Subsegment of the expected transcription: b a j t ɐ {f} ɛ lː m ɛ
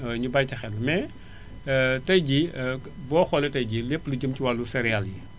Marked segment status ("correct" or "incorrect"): incorrect